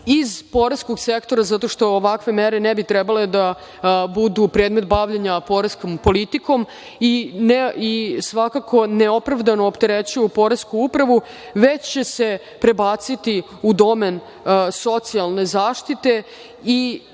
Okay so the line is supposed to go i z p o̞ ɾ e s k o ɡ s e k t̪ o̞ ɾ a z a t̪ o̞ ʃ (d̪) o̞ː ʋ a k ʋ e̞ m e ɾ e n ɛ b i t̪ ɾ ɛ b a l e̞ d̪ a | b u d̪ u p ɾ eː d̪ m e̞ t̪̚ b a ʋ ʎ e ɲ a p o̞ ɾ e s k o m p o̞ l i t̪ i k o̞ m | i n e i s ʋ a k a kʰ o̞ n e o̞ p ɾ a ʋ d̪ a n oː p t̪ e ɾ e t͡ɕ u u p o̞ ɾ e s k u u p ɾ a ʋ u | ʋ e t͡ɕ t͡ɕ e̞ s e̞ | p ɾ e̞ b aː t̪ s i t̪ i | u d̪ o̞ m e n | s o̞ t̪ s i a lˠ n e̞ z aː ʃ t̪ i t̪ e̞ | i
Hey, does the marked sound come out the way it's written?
no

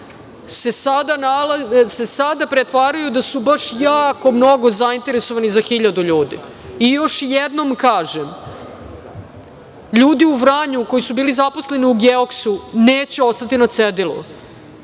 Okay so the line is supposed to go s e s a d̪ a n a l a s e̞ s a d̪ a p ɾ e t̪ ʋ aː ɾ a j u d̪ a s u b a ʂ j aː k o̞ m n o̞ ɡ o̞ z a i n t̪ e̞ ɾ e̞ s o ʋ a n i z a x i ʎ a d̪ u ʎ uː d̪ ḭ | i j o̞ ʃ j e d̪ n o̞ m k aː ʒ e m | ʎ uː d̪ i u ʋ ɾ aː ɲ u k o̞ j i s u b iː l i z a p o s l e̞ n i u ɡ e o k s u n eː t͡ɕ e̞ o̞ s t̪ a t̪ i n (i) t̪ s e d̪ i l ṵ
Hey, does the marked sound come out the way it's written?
no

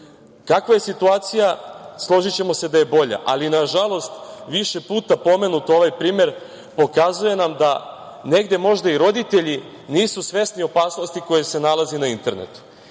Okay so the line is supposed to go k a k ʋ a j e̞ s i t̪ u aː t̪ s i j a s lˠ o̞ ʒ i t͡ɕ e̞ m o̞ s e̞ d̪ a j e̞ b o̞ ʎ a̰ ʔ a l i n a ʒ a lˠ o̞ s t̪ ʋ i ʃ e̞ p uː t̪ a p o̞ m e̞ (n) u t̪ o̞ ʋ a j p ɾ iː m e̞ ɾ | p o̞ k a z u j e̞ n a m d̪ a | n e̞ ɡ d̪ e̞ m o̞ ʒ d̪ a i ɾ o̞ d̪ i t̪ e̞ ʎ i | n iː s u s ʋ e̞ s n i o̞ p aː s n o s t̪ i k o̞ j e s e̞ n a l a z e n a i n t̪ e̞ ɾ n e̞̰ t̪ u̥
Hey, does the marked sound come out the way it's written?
yes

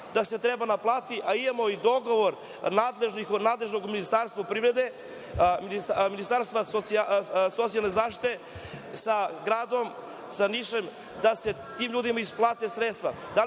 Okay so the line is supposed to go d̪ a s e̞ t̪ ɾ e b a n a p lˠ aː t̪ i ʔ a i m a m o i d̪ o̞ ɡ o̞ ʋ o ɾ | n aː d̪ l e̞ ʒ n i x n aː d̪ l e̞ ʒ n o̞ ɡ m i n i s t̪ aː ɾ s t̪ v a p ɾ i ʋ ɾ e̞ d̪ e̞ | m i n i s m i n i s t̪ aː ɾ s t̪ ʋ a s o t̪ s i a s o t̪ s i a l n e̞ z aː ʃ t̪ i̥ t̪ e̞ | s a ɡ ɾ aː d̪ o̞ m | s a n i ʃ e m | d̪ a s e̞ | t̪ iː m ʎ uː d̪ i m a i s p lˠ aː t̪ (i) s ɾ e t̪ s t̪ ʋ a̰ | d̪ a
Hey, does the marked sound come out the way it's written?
no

